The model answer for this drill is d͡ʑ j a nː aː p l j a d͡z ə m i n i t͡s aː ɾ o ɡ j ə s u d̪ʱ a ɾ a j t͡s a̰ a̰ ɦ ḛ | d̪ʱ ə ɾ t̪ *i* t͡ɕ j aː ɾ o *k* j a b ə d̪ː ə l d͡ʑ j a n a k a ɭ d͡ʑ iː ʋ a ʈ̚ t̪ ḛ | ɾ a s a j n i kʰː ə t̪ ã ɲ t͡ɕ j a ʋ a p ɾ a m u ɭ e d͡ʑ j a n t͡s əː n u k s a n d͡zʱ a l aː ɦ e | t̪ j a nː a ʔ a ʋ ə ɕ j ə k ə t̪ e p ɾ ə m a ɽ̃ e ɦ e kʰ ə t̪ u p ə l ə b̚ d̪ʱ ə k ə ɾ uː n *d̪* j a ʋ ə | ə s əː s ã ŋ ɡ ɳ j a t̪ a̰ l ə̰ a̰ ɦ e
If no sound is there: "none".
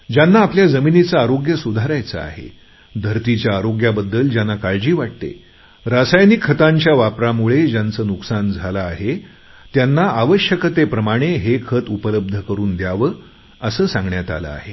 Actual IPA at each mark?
i, ɡ, d̪

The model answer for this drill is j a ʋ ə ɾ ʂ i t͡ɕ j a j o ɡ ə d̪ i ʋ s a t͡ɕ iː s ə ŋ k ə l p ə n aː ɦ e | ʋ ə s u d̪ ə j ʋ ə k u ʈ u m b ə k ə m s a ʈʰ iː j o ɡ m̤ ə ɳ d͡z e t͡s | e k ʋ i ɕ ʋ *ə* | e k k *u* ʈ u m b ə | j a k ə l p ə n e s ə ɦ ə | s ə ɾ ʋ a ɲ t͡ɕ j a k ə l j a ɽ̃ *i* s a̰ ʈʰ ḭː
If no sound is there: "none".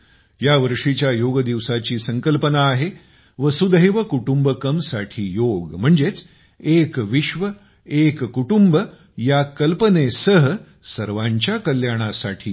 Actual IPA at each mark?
ə, u, a

